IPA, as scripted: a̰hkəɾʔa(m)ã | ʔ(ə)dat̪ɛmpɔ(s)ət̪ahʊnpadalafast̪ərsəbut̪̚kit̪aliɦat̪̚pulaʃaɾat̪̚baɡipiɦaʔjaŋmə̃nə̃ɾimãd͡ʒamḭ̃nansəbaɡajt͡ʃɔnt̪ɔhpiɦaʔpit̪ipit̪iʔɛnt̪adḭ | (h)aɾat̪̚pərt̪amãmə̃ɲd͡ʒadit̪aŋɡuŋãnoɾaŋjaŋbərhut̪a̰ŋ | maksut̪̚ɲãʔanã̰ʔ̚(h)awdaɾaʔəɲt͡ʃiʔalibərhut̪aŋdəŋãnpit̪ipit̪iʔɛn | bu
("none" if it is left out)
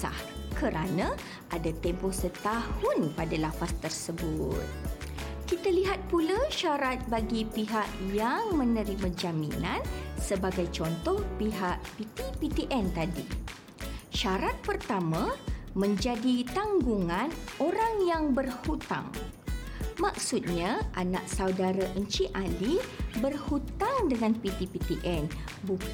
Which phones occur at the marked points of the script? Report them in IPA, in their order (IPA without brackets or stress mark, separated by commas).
n, a, s, ʃ, s